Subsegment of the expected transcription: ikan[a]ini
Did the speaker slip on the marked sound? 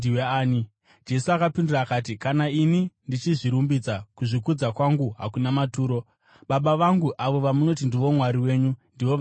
no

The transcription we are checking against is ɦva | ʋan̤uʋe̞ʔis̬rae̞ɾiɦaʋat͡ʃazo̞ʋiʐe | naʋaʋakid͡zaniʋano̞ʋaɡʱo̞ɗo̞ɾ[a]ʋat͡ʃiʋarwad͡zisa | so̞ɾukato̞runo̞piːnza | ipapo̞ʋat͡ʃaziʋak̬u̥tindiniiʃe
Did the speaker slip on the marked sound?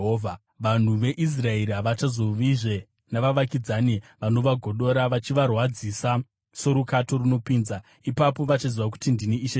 no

